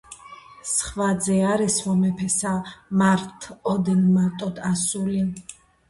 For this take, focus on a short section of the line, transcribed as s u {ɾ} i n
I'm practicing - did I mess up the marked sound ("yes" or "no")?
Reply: yes